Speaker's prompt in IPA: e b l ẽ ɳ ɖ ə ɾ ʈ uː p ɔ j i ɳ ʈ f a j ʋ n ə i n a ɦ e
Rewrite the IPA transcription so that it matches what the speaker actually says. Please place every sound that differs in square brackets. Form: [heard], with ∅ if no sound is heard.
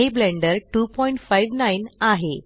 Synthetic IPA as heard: e b l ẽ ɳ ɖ ə ɾ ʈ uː p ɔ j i ɳ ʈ f a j ʋ n [a] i n a ɦ e